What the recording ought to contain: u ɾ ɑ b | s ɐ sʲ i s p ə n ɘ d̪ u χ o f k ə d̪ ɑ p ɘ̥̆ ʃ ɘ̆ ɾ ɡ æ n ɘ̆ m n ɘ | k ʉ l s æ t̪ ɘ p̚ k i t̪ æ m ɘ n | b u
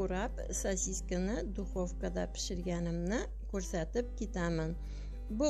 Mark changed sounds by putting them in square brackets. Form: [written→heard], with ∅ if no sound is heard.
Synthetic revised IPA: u ɾ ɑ [b→p] | s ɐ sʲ i s [p→k] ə n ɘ d̪ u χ o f k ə d̪ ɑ p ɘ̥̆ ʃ ɘ̆ ɾ ɡ æ n ɘ̆ m n ɘ | k ʉ [l→ɾ] s æ t̪ ɘ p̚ k i t̪ æ m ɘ n | b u